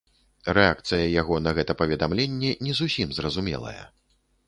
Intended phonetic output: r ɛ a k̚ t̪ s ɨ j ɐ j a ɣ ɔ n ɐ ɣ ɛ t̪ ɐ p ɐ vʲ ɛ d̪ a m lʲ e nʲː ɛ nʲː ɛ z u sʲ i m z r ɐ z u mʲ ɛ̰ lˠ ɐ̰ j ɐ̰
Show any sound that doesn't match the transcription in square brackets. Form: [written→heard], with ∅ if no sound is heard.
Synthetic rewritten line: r ɛ a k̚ t̪ s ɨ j ɐ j a ɣ ɔ n ɐ ɣ ɛ t̪ ɐ p ɐ vʲ ɛ d̪ a m lʲ e nʲː ɛ [nʲː→nʲ] ɛ z u sʲ i m z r ɐ z u mʲ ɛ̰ lˠ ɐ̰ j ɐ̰